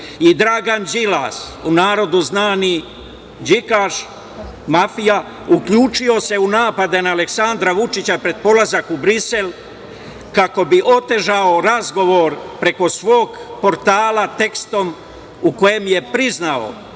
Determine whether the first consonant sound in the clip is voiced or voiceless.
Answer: voiced